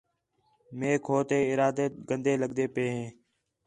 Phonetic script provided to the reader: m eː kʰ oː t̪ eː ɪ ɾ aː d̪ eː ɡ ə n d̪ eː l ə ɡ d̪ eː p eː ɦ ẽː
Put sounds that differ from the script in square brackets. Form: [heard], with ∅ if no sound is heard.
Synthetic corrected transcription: m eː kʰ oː t̪ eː ɪ ɾ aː d̪ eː ɡ ə n d̪ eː l ə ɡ d̪ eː p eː ɦ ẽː